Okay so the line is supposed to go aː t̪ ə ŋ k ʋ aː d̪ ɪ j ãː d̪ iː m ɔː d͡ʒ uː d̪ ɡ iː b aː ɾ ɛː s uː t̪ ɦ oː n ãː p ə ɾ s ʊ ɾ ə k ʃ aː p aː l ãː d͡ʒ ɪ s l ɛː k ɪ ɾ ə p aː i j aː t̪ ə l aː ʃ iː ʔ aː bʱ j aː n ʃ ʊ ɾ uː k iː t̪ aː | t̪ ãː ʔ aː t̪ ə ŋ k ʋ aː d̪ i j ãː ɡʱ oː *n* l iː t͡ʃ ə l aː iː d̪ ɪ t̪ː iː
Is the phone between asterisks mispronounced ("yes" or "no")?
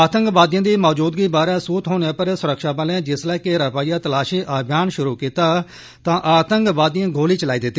yes